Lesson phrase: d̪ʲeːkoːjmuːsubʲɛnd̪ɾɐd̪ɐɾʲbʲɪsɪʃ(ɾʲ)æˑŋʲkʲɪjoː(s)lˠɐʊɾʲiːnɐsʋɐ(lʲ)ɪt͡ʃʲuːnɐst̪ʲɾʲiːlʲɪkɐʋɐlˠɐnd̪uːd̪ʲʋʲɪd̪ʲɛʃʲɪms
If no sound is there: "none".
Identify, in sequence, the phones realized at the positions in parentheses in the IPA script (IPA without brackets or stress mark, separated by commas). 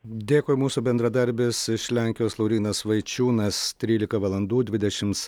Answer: lʲ, s, none